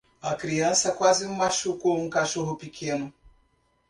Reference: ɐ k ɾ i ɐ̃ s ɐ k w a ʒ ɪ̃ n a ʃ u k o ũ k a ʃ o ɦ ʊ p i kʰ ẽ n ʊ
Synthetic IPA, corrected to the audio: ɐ k ɾ i ɐ̃ s ɐ k w a z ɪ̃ m a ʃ u k o ũ k a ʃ o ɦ ʊ p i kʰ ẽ n ʊ